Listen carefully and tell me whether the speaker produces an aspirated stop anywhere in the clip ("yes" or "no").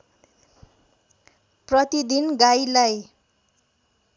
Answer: no